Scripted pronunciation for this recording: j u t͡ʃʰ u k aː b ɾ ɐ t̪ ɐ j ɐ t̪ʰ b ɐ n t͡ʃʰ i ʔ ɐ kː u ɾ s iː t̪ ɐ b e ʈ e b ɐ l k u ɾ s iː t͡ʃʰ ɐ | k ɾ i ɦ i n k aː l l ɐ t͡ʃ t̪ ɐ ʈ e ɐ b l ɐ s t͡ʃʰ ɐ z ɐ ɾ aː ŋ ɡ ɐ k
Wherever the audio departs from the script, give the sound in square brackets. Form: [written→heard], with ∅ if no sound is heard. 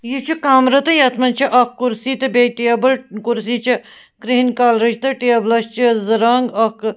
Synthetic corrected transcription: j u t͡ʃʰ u k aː [b→m] ɾ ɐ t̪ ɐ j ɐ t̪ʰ [b→m] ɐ n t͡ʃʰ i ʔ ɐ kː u ɾ s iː t̪ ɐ b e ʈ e b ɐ l k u ɾ s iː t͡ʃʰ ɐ | k ɾ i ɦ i n k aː l [l→ɾ] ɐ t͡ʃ t̪ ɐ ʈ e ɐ b l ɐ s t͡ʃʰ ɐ z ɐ ɾ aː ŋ ɡ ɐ k